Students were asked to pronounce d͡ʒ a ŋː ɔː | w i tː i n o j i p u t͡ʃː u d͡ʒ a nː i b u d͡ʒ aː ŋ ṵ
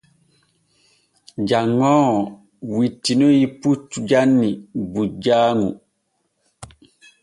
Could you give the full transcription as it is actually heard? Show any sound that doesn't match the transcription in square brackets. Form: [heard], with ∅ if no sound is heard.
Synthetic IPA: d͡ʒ a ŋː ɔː | w i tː i n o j i p u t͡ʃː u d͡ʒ a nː i b u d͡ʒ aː ŋ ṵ

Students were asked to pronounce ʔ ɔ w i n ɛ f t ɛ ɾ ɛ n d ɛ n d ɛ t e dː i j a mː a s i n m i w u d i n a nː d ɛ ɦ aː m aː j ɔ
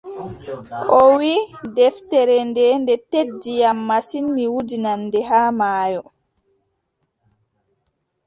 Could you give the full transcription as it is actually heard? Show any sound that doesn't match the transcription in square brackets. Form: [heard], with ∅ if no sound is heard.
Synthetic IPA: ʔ ɔ w i [d] ɛ f t ɛ ɾ ɛ n d ɛ n d ɛ t e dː i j a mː a s i n m i w u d i n a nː d ɛ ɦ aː m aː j ɔ

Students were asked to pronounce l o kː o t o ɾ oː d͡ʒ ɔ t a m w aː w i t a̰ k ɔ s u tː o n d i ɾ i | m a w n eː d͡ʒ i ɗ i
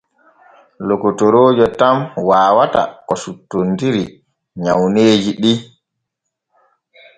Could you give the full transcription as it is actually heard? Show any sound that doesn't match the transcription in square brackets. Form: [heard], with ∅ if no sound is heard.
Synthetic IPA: l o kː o t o ɾ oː d͡ʒ ɔ t a m w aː w [a] t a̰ k ɔ s u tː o n d i ɾ i | [ɲ] a w n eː d͡ʒ i ɗ i

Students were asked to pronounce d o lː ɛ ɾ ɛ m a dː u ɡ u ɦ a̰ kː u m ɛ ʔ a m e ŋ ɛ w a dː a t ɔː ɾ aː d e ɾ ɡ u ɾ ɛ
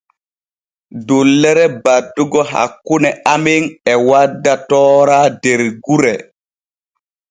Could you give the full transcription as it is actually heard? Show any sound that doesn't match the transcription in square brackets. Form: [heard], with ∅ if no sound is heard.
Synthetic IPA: d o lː ɛ ɾ ɛ [b] a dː u ɡ [ɔ] ɦ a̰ kː u [n] ɛ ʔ a m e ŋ ɛ w a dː a t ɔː ɾ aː d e ɾ ɡ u ɾ ɛ

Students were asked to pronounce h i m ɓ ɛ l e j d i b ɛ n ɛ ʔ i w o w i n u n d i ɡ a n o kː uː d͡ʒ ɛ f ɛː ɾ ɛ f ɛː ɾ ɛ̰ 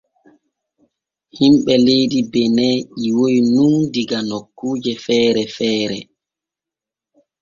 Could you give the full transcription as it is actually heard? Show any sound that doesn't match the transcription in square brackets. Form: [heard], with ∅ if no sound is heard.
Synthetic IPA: h i m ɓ ɛ l e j d i b ɛ n ɛ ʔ i w o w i n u n d i ɡ a n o kː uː d͡ʒ ɛ f ɛː ɾ ɛ f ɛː ɾ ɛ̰

